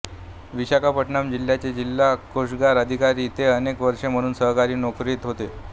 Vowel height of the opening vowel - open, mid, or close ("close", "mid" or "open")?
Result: close